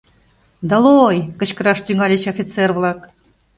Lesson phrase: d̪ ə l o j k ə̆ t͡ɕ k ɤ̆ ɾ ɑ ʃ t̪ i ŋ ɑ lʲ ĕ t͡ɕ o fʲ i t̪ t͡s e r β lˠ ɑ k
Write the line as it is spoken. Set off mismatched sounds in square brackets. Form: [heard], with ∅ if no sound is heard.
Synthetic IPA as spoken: d̪ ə l o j k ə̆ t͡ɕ k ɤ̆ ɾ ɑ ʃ t̪ [y] ŋ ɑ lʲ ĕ t͡ɕ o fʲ i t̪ t͡s e r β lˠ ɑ k